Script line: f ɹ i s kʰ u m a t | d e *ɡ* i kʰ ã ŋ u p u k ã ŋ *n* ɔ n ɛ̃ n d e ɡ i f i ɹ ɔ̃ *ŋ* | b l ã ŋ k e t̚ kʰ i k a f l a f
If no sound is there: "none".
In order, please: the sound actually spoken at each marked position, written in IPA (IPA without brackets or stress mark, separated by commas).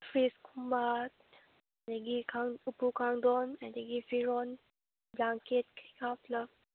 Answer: ɡ, d, n